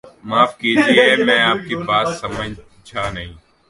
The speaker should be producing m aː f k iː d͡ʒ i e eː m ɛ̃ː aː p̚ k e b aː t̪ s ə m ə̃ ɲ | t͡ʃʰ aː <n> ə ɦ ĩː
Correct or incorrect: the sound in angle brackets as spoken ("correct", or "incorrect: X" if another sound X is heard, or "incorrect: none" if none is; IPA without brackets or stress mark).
correct